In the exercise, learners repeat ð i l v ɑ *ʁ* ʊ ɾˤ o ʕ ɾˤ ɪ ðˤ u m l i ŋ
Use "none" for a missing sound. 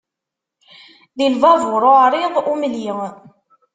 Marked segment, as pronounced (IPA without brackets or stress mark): v